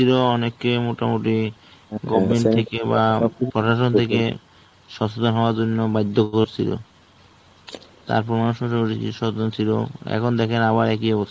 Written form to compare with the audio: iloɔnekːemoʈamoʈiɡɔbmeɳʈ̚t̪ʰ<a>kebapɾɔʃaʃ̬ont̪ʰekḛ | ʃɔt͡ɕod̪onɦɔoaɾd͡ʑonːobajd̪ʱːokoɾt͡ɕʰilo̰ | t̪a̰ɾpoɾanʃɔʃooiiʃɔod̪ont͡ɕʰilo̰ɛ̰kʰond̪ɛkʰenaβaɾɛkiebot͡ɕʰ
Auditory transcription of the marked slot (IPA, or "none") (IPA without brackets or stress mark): e